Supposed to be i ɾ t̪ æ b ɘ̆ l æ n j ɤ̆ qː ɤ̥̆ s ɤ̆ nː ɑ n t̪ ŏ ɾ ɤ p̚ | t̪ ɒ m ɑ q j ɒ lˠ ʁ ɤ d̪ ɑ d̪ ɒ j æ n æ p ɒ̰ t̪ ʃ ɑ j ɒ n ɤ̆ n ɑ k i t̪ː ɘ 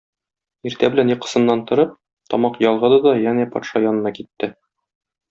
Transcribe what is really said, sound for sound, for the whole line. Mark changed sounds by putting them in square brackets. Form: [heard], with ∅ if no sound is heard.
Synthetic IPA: i ɾ t̪ æ b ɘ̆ l æ n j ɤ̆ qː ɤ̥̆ s ɤ̆ nː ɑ n t̪ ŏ ɾ ɤ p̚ | t̪ ɒ m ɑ q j ɒ lˠ ʁ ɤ d̪ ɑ d̪ ɒ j æ n æ p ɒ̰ t̪ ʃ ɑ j ɒ n ɤ̆ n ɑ k i t̪ː ɘ